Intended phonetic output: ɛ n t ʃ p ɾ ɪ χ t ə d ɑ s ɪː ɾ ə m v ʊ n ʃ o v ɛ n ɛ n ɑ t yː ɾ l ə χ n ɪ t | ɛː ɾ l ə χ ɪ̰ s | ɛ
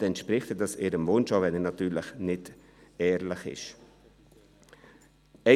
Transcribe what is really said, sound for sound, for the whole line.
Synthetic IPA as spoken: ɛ n t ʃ p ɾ ɪ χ t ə d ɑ s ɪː ɾ ə m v ʊ n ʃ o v ɛ n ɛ n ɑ t yː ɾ l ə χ n ɪ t | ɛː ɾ l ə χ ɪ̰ ʃ | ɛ